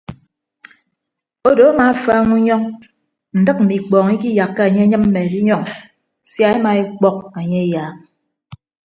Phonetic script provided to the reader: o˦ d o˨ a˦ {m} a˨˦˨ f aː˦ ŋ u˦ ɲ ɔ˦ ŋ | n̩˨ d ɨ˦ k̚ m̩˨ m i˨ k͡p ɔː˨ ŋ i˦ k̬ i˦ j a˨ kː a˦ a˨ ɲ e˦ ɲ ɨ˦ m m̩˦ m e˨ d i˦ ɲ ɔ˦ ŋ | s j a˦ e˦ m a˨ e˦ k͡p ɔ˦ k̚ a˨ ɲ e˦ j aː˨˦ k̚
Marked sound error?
no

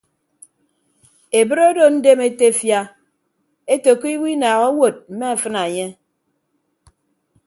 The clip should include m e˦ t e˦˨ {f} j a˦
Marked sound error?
no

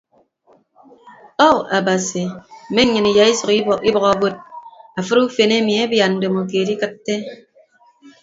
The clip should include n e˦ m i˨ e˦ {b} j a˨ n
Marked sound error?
no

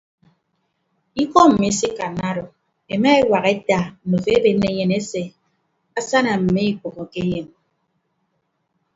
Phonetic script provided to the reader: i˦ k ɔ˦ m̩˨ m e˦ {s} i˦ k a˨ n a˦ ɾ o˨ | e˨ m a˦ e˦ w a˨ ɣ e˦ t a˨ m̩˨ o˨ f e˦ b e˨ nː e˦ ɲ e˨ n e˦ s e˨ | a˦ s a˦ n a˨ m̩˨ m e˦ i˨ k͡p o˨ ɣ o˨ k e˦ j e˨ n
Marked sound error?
no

